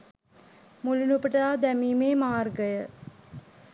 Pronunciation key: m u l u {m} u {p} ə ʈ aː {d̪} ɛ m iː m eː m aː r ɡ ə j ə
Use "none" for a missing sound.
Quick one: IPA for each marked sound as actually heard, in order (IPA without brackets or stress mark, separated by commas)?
n, p, d̪